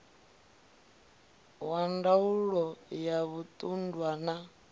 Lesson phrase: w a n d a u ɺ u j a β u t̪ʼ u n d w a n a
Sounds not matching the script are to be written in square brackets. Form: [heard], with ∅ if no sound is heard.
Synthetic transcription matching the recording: w a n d a u ɺ [ɔ] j a β u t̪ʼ u n d w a n a